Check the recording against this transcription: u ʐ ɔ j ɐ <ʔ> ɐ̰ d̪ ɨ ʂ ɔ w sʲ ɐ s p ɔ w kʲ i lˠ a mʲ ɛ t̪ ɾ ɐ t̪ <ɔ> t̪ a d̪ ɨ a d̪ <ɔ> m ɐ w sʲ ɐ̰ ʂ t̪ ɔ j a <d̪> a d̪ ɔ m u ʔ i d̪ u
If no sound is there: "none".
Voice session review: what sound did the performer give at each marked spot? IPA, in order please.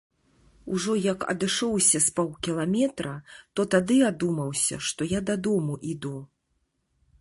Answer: k, ɔ, u, d̪

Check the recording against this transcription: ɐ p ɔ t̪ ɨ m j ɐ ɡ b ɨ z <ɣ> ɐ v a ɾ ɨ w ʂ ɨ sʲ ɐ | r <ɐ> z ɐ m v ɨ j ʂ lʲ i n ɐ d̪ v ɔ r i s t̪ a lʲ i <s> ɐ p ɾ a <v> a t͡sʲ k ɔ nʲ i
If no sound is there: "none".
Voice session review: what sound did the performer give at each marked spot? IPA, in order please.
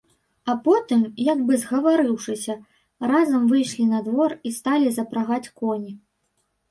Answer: ɣ, a, z, ɣ

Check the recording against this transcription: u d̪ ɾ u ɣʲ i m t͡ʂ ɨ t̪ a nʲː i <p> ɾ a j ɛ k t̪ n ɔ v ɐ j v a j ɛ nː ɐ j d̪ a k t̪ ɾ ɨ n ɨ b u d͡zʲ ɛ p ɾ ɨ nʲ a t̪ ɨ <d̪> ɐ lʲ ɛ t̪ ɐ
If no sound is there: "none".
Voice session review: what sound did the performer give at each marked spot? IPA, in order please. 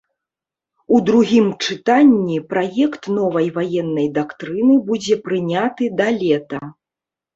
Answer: p, d̪

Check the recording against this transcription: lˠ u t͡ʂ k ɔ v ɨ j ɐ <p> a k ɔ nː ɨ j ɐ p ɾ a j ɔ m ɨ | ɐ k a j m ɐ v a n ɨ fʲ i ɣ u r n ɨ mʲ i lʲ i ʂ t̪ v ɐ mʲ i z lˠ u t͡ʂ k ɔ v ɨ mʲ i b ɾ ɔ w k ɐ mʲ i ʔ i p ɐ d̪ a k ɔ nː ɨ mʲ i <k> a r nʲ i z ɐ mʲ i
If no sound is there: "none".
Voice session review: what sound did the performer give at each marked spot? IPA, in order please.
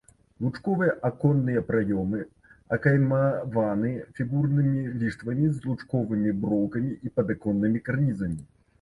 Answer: ʔ, k

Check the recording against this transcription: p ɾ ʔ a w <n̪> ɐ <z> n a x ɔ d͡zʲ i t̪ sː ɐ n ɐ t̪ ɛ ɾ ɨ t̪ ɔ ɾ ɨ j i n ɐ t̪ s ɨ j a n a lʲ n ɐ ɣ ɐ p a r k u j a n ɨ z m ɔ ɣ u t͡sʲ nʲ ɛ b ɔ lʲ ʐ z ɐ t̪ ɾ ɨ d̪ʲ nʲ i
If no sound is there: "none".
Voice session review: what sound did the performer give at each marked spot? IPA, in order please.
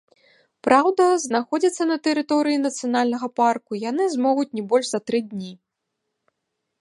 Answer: d̪, z

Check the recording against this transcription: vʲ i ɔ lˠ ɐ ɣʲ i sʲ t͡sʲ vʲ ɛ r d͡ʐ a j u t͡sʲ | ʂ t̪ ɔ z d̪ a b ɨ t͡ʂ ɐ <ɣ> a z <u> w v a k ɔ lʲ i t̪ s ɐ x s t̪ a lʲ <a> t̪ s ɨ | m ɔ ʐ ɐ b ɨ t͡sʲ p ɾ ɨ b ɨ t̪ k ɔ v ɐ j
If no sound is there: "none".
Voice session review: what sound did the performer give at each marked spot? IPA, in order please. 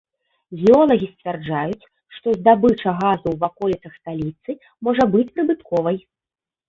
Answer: ɣ, u, i

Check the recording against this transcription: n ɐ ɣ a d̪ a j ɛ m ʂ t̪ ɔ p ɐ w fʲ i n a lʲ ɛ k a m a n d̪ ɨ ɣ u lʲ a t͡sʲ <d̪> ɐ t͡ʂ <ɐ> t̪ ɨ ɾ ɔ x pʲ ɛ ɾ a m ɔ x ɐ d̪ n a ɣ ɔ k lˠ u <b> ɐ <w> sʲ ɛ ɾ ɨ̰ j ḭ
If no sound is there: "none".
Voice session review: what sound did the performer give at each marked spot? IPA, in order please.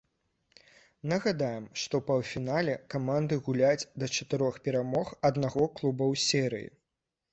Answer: d̪, ɐ, b, w

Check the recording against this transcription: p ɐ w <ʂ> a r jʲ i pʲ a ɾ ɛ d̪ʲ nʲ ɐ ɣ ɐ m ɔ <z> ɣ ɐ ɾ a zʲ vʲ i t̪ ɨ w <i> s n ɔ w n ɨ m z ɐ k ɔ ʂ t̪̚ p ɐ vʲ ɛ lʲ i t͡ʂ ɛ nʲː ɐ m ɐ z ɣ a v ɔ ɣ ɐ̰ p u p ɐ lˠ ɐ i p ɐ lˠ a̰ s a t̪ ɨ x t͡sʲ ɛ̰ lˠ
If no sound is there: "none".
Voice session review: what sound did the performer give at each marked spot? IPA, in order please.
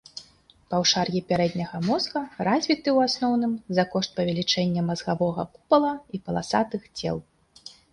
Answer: ʂ, z, a

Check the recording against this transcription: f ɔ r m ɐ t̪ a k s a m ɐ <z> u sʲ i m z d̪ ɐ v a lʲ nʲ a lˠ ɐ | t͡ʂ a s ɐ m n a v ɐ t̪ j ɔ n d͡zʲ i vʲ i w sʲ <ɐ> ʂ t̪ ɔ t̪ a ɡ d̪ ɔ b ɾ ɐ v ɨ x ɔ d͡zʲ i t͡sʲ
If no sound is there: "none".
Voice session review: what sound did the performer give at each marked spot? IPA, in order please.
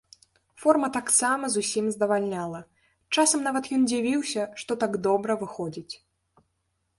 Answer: z, ɐ

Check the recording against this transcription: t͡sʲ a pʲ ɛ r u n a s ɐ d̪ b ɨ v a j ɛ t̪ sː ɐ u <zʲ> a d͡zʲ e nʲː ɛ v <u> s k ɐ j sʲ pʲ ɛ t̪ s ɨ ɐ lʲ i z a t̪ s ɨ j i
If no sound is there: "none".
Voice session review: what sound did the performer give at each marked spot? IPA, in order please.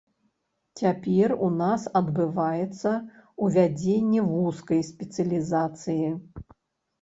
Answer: vʲ, u

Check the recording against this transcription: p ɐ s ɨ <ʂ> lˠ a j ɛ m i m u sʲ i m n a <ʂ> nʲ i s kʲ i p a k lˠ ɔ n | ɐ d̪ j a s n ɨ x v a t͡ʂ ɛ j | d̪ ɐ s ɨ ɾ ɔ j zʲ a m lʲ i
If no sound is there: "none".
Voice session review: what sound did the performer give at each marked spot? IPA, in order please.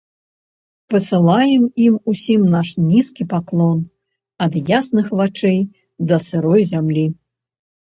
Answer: none, ʂ

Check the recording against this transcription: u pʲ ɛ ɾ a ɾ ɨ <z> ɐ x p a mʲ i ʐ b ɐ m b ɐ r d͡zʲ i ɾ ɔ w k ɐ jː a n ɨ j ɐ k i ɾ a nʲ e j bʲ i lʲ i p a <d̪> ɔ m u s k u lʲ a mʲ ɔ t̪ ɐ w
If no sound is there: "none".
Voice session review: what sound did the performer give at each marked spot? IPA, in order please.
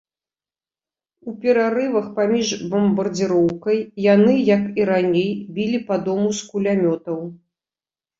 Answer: v, d̪

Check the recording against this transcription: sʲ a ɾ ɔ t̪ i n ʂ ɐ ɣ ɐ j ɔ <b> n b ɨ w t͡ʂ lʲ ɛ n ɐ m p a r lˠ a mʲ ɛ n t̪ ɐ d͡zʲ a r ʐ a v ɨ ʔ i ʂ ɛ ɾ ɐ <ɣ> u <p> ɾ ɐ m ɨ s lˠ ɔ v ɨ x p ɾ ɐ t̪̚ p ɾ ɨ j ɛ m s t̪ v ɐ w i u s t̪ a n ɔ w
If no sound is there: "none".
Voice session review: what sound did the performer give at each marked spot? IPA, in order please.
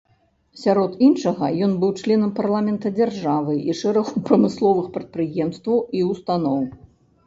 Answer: none, x, p

